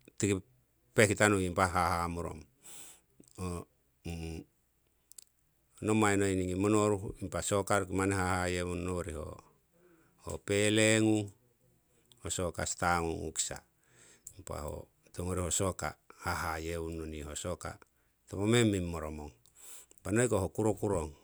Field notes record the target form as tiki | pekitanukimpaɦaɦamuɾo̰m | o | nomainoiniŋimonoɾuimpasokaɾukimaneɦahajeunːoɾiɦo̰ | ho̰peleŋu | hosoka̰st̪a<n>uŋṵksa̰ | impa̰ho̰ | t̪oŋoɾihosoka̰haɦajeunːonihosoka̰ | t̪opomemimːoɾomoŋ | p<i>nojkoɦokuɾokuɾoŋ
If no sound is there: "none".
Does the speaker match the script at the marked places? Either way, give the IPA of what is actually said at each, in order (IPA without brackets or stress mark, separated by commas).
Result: ŋ, a